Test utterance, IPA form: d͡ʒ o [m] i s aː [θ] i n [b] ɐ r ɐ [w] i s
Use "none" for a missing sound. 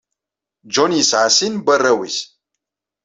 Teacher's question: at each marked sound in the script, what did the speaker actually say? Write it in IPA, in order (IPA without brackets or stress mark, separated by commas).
n, s, b, w